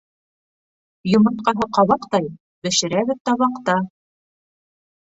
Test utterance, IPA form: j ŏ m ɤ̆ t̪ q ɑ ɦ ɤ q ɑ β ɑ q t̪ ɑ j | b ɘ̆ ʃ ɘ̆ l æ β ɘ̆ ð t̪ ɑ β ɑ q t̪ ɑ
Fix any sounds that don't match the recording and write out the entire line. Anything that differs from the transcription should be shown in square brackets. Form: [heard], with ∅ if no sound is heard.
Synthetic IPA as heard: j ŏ m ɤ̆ t̪ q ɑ ɦ ɤ q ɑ β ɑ q t̪ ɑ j | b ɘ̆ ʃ ɘ̆ [ɾ] æ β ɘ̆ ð t̪ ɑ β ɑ q t̪ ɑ